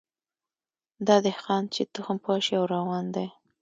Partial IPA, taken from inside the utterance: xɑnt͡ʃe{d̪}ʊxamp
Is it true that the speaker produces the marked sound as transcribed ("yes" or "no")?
no